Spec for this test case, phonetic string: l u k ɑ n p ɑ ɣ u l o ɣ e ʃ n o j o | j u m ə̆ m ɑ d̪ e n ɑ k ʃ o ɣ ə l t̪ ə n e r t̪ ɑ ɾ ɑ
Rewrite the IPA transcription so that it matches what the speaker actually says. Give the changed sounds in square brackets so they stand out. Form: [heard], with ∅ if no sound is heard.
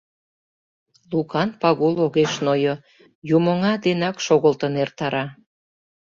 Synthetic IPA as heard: l u k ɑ n p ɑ ɣ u l o ɣ e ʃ n o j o | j u m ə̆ [ŋ] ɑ d̪ e n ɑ k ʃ o ɣ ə l t̪ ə n e r t̪ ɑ ɾ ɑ